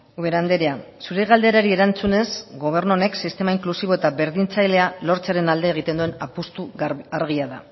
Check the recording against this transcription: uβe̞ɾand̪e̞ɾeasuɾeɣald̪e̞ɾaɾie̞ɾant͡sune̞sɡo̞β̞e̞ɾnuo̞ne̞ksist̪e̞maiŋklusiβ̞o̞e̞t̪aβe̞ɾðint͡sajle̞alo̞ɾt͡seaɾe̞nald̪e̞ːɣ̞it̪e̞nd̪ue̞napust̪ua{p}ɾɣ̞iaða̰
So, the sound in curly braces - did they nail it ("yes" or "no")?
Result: no